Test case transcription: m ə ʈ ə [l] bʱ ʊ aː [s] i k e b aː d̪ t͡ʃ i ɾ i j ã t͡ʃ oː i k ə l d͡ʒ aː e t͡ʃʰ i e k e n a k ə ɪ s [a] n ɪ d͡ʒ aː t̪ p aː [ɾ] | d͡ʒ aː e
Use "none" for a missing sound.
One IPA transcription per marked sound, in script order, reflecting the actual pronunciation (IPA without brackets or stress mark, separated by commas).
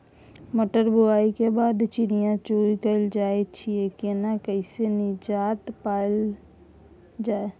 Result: ɾ, none, e, l